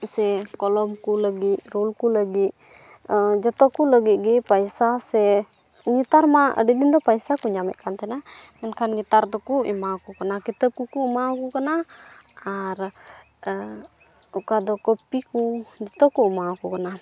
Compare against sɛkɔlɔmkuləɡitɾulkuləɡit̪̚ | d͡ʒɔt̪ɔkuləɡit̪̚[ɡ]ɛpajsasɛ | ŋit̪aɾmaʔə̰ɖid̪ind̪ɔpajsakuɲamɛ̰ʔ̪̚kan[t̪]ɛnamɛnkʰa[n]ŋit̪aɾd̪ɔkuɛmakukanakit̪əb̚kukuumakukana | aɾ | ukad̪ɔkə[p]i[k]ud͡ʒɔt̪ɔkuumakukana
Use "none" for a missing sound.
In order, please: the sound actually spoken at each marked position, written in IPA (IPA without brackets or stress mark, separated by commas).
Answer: ɡ, t̪, n, p, k